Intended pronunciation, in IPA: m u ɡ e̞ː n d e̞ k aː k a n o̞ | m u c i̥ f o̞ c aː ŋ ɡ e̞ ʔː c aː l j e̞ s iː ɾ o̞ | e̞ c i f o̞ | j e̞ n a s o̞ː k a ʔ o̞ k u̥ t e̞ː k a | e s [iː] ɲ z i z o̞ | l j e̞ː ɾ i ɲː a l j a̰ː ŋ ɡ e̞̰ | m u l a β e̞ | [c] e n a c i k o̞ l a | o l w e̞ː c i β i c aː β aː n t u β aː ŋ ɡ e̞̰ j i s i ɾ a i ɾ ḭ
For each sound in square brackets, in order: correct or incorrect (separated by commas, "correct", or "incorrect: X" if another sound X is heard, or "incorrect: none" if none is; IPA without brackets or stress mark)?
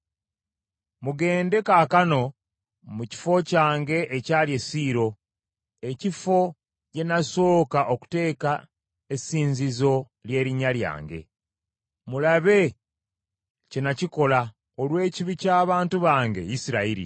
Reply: correct, correct